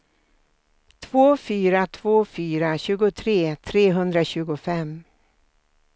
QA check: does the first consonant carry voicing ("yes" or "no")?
no